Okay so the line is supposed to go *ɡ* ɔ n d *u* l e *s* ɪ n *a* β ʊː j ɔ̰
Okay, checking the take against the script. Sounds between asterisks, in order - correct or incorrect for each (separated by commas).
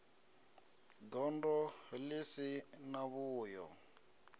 correct, incorrect, correct, correct